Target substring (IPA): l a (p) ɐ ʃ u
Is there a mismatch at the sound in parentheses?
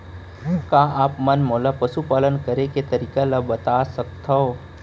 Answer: no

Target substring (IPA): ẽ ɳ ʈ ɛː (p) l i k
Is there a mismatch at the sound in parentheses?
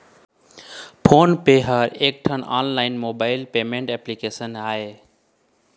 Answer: no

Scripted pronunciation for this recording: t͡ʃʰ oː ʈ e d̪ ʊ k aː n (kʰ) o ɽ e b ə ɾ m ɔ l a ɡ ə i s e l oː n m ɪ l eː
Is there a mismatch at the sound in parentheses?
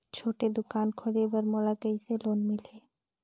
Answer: no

